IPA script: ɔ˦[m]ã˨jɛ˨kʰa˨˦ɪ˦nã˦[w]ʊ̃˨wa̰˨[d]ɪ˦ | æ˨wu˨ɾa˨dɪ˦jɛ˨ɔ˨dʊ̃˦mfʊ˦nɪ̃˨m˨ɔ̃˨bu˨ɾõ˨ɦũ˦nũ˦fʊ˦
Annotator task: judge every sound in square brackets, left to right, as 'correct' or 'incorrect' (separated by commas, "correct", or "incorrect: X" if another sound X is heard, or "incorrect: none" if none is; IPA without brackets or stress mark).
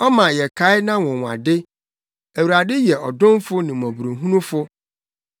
correct, correct, correct